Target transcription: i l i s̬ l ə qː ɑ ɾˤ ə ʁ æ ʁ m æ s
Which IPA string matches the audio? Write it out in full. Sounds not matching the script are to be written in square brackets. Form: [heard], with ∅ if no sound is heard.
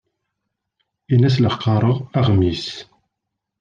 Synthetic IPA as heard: i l [æ] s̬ l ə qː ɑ ɾˤ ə ʁ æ ʁ m [i] s

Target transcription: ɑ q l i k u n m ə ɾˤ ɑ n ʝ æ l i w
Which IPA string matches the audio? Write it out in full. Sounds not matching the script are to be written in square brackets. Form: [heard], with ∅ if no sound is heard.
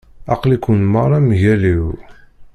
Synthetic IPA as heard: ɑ q l i k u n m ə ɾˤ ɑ [m] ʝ æ l i w

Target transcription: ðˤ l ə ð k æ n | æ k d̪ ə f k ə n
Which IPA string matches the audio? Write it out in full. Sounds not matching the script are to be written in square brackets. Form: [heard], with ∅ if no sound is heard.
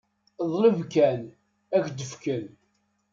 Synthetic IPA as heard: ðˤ l ə [v] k æ n | æ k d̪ ə f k ə n

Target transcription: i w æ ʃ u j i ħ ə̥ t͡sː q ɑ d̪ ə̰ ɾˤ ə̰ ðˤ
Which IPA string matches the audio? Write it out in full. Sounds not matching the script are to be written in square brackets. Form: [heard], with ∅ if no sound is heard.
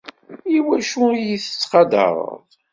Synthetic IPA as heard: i w æ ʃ u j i [θ] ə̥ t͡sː q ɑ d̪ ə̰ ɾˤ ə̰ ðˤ

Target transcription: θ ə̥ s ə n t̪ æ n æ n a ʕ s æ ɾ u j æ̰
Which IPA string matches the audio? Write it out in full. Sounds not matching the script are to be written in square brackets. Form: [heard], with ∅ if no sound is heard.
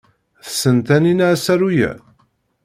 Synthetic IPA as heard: θ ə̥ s ə n t̪ æ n [i] n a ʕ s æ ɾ u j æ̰

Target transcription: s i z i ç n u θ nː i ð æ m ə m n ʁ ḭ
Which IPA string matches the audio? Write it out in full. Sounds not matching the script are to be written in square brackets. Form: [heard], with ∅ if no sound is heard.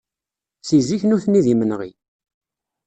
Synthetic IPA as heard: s i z i ç n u θ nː i ð [i] m ə [∅] n ʁ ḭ

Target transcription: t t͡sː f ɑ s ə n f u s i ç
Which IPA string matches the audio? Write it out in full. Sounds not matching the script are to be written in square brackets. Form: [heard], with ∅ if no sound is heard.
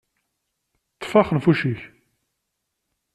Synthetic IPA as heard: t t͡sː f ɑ [χ] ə n f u [ʃ] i ç

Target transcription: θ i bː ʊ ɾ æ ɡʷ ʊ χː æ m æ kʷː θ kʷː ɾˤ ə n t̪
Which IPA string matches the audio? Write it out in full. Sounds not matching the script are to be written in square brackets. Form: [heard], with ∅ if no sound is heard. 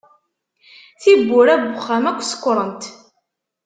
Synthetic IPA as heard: θ i bː ʊ ɾ æ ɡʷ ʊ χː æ m æ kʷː [s] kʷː ɾˤ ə n t̪

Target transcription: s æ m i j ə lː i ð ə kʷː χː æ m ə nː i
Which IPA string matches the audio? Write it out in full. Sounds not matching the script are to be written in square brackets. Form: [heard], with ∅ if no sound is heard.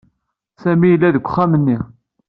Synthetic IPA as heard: s æ m i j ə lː [æ] ð ə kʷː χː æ m ə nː i

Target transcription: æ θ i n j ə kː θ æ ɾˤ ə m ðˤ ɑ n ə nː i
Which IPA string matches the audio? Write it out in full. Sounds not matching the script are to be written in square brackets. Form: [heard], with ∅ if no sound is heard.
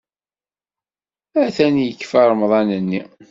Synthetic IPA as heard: æ θ [æ] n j ə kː [f] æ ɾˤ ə m ðˤ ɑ n ə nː i

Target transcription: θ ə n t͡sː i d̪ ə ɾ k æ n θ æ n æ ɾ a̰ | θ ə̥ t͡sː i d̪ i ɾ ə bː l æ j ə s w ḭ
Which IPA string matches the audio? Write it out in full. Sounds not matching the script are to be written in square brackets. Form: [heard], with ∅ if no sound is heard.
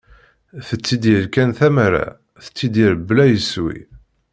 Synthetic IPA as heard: θ ə [∅] t͡sː i d̪ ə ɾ k æ n θ æ [m] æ ɾ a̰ | θ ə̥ t͡sː i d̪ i ɾ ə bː l æ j ə s w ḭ

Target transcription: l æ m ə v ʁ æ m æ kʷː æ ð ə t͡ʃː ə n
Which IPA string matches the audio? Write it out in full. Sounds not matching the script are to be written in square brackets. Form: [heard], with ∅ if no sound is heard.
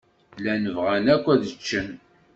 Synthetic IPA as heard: l æ [n] ə v ʁ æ [n] æ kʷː æ ð ə t͡ʃː ə n

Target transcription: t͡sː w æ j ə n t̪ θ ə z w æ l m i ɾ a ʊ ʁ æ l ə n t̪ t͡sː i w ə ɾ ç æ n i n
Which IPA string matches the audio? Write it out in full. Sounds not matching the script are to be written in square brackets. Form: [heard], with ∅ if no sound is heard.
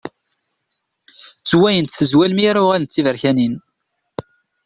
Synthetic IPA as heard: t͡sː w æ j ə n t̪ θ ə z w æ l m i ɾ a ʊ ʁ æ l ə n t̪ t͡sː i [v] ə ɾ ç æ n i n

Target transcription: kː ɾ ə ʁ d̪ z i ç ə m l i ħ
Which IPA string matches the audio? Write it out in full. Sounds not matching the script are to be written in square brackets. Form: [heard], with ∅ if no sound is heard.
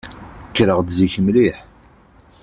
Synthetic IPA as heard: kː ɾ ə ʁ d̪ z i ç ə m l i ħ

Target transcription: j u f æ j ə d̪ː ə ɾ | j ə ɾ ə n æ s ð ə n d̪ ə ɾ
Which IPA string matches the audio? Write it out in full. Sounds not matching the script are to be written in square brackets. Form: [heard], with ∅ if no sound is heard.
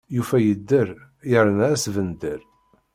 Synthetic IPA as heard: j u f æ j ə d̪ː ə ɾ | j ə ɾ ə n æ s [v] ə n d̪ ə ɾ

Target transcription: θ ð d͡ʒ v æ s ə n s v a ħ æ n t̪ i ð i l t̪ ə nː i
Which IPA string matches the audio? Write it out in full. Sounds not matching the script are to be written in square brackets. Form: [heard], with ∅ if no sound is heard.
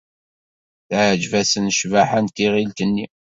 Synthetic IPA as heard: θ [ʕ] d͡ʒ v æ s ə n [ʃ] v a ħ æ n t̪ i [ʁ] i l t̪ ə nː i

